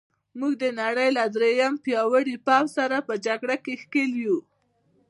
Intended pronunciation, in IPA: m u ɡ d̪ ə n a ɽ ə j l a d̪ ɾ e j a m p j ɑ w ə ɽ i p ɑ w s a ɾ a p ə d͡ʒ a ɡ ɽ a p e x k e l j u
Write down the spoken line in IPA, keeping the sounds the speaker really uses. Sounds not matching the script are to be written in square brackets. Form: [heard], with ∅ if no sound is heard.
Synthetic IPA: m u ɡ d̪ ə n a ɽ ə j l a d̪ ɾ e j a m p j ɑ w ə ɽ i p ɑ w s a ɾ a p ə d͡ʒ a ɡ ɽ a [k] e x k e l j u